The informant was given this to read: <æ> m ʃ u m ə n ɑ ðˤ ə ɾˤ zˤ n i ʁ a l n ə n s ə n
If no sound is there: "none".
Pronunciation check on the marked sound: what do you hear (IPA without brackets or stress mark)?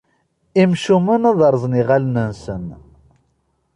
i